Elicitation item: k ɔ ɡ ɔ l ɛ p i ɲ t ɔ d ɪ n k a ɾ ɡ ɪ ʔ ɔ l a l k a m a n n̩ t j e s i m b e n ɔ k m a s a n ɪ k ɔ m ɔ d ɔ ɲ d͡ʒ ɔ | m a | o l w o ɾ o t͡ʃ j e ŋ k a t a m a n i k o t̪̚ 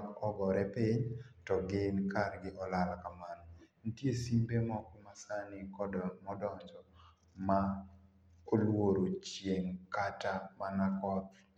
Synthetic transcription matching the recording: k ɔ ɡ ɔ ɾ ɛ p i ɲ t ɔ ɡ ɪ n k a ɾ ɡ ɪ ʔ ɔ l a l k a m a n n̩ t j e s i m b e m ɔ k m a s a n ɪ k ɔ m ɔ d ɔ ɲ d͡ʒ ɔ | m a | o l w o ɾ o t͡ʃ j e ŋ k a t a m a n a k ɔ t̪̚